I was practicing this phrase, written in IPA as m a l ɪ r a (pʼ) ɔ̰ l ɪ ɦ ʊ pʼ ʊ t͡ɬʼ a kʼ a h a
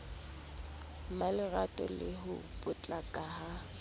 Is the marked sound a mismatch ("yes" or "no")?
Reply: yes